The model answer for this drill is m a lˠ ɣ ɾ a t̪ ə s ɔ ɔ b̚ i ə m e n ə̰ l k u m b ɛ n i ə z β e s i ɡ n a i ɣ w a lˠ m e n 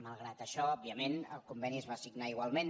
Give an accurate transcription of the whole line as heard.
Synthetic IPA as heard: m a lˠ ɣ ɾ a t̪ ə ʃ ɔ ɔ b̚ i ə m e n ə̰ l k u m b ɛ n i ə z β a s i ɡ n a i ɣ w a lˠ m e n